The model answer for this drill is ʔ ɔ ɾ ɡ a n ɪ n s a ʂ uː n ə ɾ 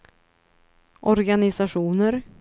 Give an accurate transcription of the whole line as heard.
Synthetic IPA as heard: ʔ ɔ ɾ ɡ a n ɪ s a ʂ uː n ə ɾ

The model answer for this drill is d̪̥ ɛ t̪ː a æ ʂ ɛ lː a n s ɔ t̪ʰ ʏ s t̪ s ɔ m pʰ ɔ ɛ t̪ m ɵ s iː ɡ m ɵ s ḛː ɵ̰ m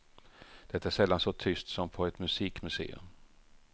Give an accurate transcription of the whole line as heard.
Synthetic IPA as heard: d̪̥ ɛ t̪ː a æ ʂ ɛ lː a n s ɔ t̪ʰ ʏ s t̪ s ɔ m pʰ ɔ ɛ t̪ m ɵ s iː k m ɵ s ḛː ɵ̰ m

